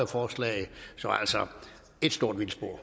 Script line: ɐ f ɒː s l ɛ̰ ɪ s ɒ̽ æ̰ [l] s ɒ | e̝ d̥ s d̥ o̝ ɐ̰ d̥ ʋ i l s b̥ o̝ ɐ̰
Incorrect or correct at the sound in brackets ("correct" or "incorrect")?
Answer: correct